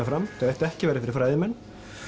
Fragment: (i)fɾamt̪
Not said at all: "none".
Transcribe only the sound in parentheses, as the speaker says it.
a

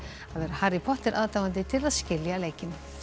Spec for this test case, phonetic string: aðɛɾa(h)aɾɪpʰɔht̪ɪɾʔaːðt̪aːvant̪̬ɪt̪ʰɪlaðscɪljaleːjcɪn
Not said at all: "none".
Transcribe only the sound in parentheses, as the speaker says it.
h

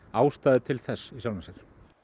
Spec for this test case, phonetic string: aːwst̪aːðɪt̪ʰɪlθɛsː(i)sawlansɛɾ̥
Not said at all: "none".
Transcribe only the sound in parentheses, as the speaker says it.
i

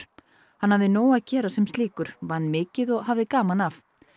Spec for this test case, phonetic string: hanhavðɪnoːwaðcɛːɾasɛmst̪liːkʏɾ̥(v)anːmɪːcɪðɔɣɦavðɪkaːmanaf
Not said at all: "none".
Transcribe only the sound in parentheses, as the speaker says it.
v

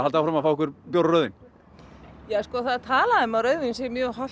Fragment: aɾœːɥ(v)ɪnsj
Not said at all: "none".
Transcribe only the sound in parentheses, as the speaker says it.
ð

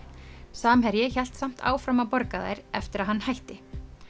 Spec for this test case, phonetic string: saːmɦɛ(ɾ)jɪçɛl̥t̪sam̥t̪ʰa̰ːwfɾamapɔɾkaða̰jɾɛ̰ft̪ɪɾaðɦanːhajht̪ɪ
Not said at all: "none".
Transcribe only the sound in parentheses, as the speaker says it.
ɾ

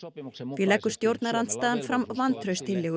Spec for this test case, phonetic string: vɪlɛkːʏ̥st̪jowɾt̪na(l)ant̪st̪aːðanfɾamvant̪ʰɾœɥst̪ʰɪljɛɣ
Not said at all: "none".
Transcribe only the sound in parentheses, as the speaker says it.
ɾ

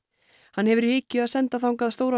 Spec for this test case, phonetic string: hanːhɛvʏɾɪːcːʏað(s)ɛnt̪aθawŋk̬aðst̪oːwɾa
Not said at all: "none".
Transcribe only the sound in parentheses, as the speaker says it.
s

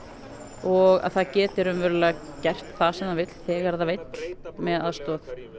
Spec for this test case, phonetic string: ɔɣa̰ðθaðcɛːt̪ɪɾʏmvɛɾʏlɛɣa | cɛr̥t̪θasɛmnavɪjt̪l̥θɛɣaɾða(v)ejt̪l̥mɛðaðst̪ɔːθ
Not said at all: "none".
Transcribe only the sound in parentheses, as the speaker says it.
v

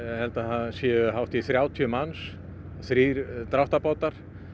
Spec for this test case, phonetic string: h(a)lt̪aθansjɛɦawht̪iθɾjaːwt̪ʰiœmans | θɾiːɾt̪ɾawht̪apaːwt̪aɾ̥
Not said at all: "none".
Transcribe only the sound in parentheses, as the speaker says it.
ɛ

